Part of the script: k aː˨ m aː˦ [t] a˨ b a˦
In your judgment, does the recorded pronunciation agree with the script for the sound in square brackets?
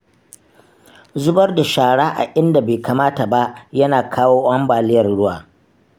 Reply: yes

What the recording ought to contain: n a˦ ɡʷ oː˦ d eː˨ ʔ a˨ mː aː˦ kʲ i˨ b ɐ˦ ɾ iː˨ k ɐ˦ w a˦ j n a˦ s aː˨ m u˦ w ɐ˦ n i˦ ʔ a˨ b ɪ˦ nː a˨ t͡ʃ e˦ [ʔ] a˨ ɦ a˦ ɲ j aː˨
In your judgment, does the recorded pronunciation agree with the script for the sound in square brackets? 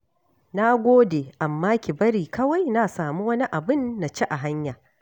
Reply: yes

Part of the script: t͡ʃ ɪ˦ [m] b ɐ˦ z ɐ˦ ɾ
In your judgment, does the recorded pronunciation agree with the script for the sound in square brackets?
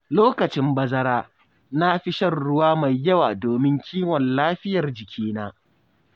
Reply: yes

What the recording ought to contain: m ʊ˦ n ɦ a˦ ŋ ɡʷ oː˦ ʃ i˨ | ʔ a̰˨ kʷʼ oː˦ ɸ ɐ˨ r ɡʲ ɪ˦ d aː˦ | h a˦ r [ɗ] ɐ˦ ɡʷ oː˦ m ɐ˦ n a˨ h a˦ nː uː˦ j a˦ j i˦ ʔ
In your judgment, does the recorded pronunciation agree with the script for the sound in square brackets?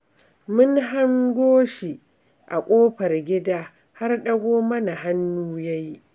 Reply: yes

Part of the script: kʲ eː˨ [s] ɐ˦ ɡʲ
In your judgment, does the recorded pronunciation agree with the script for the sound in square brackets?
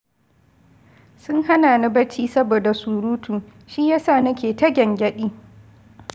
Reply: no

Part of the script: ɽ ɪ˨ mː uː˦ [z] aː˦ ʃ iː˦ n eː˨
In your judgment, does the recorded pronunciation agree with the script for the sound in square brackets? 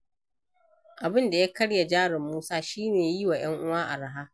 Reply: no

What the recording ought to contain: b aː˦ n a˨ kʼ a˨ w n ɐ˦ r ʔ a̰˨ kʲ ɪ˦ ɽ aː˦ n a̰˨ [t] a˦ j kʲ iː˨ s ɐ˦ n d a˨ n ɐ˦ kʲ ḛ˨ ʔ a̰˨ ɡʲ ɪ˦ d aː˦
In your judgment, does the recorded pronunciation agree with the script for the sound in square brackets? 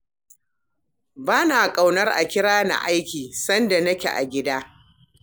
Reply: no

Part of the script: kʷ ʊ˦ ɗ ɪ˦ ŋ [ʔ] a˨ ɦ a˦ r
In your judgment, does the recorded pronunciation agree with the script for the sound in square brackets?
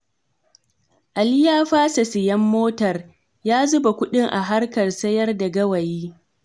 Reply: yes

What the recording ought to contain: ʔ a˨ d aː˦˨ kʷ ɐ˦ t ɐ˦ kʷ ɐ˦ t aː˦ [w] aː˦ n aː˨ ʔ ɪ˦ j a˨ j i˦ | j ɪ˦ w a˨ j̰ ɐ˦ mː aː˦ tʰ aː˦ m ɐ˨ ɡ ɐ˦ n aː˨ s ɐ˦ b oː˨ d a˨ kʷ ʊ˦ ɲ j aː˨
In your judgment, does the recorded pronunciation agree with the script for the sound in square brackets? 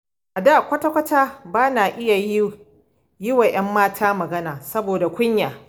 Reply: no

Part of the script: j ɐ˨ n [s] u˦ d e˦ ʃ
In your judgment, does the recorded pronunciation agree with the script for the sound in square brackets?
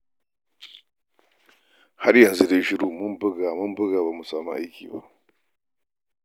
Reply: no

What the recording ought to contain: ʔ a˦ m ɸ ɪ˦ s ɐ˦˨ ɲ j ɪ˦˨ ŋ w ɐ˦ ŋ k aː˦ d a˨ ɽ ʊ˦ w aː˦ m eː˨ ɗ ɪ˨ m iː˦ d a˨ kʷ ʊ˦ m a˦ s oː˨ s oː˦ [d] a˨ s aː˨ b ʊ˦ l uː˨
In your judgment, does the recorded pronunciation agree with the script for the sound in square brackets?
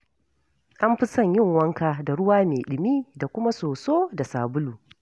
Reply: yes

